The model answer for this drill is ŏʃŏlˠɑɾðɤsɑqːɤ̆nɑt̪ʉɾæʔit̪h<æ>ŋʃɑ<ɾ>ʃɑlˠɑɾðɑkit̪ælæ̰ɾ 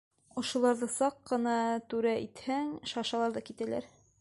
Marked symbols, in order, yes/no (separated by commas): yes, no